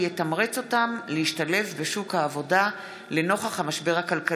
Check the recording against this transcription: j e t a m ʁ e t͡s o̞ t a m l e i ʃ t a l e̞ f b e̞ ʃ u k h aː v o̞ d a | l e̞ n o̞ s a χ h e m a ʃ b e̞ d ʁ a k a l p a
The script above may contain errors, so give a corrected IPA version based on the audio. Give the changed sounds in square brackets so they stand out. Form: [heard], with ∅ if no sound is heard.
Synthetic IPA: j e t a m ʁ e t͡s o̞ t a m l e i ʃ t a l e̞ f b e̞ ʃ u k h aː v o̞ d a | l e̞ n o̞ [χ] a χ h [a] m a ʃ b e̞ [∅] ʁ a k a l [k] a